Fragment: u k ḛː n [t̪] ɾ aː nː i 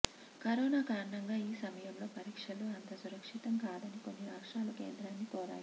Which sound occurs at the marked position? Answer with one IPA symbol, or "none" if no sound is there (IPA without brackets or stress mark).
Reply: d̪